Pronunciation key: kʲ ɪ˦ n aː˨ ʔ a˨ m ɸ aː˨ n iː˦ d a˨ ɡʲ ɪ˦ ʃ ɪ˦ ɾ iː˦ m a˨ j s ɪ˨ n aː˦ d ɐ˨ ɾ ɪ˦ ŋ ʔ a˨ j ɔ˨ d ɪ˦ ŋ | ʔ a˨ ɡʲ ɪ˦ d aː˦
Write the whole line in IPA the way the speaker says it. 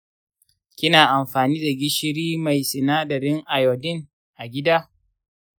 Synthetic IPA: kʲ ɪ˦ n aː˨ ʔ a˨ m ɸ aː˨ n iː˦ d a˨ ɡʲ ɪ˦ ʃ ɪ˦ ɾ iː˦ m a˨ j s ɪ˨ n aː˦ d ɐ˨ ɾ ɪ˦ ŋ ʔ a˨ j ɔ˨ d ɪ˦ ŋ | ʔ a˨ ɡʲ ɪ˦ d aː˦